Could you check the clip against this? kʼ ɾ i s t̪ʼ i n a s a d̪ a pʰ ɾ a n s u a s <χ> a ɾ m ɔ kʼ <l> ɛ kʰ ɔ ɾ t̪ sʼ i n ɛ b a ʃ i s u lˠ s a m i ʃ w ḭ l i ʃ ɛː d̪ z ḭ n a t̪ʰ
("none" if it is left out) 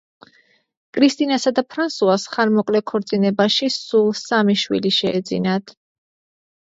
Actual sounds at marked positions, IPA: χ, l

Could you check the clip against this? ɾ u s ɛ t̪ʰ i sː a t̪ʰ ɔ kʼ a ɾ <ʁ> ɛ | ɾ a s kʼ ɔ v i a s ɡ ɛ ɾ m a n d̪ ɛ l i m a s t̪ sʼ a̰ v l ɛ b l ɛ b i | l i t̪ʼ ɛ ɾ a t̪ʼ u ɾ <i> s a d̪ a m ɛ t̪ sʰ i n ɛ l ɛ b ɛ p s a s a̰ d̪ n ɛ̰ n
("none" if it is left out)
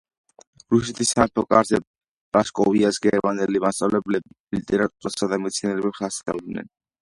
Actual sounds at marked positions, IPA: z, a

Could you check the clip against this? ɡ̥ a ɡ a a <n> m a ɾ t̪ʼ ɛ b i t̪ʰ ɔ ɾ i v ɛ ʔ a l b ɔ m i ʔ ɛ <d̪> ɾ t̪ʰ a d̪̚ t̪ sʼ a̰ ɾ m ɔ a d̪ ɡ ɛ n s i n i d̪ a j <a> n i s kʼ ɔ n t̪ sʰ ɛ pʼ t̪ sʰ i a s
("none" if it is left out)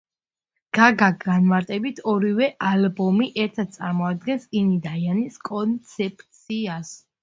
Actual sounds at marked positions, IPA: n, none, a

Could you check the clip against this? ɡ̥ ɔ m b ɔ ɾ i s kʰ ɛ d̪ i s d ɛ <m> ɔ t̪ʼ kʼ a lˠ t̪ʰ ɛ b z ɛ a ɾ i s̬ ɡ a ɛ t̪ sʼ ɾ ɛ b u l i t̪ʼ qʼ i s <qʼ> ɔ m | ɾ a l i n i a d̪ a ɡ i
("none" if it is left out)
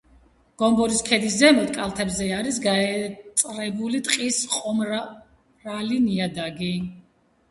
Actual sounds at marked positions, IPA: m, qʼ

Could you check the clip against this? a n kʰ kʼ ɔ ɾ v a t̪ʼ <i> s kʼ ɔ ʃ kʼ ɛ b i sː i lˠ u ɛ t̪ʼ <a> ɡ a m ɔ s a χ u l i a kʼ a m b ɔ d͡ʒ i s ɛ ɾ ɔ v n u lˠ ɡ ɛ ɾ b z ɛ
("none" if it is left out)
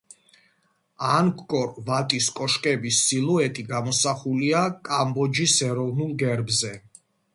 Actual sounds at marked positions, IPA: i, i

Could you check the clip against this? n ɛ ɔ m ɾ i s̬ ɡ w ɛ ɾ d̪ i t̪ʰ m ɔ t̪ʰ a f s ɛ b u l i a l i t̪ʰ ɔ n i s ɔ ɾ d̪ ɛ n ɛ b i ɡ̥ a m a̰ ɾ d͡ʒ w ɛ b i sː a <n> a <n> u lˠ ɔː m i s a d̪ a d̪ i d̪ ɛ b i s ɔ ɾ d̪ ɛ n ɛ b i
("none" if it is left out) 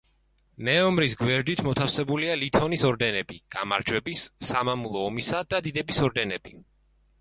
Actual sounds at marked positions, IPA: m, m

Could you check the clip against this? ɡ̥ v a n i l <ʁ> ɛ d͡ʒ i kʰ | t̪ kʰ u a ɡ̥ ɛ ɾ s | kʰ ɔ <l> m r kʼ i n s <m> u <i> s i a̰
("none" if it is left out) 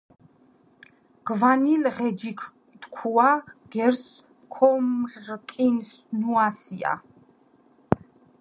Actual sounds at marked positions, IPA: ʁ, none, n, a

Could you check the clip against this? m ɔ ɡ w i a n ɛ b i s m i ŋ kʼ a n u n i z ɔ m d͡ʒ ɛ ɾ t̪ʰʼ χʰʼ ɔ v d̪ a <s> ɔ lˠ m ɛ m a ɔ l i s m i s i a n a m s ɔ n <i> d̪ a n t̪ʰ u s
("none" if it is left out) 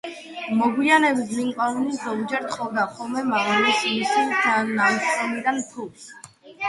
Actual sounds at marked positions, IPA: χ, i

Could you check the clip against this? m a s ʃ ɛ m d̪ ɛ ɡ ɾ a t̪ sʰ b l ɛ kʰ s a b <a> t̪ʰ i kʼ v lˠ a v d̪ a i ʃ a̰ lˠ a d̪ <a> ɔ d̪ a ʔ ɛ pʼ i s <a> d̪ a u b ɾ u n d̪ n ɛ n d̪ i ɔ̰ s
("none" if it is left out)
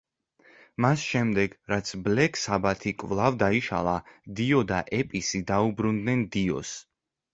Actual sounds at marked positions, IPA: a, i, i

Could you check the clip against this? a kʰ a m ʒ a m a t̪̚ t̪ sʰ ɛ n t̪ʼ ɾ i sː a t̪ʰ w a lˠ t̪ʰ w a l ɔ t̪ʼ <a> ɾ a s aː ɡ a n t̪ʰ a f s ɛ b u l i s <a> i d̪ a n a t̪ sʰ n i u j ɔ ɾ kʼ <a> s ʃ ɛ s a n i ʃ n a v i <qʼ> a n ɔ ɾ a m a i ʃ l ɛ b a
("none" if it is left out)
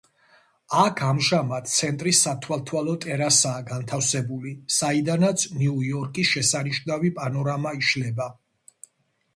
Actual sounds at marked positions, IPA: ɛ, a, i, pʼ

